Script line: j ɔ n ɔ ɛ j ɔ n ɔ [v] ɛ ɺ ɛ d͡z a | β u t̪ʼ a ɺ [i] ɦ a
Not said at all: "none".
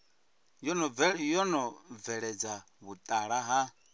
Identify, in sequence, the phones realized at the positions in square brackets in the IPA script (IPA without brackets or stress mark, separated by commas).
v, a